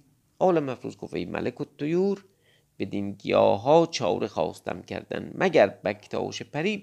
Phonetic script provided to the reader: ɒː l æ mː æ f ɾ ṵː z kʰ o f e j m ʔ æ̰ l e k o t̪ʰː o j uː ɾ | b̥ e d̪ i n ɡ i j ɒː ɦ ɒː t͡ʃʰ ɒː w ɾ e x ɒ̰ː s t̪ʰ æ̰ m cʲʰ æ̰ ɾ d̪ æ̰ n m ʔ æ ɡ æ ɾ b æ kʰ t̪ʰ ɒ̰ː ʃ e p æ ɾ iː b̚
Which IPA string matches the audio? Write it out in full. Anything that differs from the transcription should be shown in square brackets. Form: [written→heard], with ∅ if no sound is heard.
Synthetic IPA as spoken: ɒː l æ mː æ f ɾ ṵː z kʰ o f e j m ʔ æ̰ l e k o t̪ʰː o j uː ɾ | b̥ e d̪ i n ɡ i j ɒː ɦ ɒː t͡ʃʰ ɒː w ɾ e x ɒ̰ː s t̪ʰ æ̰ m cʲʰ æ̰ ɾ d̪ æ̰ n m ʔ æ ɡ æ ɾ b æ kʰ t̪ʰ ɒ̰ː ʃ e p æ ɾ iː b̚